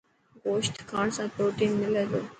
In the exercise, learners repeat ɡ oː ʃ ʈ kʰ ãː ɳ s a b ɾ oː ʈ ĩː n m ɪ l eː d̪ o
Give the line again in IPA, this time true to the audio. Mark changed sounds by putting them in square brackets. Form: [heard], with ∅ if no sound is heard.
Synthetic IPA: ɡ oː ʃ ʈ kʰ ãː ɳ s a [p] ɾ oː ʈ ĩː n m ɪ l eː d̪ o